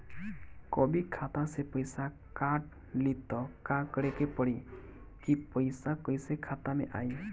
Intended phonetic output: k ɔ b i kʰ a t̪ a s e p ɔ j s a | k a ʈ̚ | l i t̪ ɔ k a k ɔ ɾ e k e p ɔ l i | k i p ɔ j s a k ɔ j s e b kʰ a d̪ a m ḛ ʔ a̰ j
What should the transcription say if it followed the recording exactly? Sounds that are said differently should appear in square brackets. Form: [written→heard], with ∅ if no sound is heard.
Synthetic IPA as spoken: k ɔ b i kʰ a t̪ a s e p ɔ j s a | k a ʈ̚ | l i t̪ ɔ k a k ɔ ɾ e k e p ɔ [l→ɽ] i | k i p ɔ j s a k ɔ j s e [b→∅] kʰ a [d̪→t̪] a m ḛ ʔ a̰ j